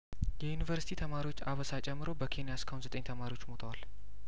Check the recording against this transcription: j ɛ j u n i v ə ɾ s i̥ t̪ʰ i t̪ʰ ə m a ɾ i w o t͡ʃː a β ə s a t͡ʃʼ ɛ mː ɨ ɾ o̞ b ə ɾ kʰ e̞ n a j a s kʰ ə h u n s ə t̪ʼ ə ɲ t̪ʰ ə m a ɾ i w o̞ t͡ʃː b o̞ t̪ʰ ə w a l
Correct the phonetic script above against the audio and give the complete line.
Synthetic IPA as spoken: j ɛ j u n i v ə ɾ s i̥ t̪ʰ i t̪ʰ ə m a ɾ i w o t͡ʃː a β ə s a t͡ʃʼ ɛ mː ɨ ɾ o̞ b ə kʰ e̞ n i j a s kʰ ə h u n z ə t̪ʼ ə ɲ t̪ʰ ə m a ɾ i w o̞ t͡ʃː m o̞ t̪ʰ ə w a l